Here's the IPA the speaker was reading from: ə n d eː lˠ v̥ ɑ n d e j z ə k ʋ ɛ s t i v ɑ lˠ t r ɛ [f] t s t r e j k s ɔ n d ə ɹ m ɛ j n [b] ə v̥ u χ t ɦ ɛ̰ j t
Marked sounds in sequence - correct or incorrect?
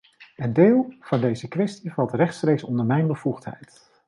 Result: incorrect: χ, correct

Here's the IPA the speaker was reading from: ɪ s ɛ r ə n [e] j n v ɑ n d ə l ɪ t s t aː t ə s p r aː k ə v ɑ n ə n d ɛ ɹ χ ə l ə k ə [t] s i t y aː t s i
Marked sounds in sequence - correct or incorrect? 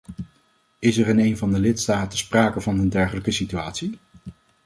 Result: correct, incorrect: none

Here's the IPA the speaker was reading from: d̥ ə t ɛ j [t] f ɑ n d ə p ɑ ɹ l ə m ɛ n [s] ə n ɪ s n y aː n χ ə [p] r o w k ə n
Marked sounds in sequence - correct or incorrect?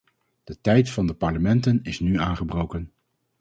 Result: correct, incorrect: t, incorrect: b

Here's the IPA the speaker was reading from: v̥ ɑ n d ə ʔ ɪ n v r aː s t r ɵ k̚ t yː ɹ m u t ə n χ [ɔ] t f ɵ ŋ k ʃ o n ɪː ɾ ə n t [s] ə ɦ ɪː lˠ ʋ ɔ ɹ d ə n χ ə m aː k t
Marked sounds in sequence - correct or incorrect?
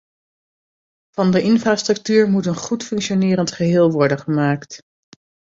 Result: incorrect: u, incorrect: χ

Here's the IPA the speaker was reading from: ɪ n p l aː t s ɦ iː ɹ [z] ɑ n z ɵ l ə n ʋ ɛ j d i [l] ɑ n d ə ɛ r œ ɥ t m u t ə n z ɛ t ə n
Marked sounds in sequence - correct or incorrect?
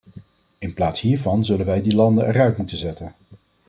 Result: incorrect: v, correct

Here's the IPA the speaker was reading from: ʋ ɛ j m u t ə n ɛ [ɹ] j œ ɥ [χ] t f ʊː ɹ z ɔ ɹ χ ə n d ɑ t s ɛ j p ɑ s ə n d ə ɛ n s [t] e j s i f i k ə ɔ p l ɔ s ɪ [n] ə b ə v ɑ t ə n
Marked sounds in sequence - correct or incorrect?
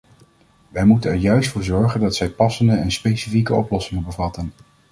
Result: correct, incorrect: s, incorrect: p, incorrect: ŋ

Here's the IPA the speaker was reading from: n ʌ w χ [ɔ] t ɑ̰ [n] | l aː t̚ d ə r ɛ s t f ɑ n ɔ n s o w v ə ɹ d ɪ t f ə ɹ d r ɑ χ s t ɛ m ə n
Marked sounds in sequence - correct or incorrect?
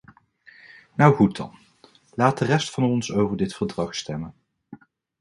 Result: incorrect: u, correct

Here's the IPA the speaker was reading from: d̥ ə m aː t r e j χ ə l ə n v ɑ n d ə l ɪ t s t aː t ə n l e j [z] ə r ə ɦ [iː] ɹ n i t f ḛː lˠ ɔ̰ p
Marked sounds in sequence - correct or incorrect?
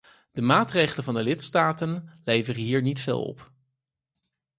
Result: incorrect: v, correct

